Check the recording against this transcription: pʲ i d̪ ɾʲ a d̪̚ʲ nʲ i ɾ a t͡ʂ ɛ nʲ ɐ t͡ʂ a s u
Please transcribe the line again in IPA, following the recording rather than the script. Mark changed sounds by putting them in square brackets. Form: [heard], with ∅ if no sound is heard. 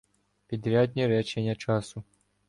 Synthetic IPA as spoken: pʲ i d̪ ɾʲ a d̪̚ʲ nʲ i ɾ [ɛ] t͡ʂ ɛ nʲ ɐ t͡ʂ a s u